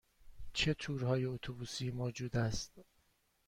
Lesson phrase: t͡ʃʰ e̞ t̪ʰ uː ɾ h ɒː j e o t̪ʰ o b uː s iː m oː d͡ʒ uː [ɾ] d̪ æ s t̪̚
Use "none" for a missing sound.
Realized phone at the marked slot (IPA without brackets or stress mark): none